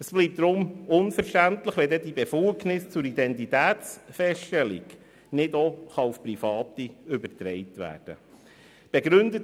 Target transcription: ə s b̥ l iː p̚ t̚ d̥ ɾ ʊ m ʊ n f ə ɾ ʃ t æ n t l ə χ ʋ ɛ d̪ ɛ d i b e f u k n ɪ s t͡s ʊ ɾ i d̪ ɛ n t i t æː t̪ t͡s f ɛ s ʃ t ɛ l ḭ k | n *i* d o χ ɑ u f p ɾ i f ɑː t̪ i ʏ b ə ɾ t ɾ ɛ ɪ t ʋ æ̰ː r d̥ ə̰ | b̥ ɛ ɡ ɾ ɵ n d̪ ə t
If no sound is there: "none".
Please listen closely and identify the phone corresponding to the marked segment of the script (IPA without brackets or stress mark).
ɪ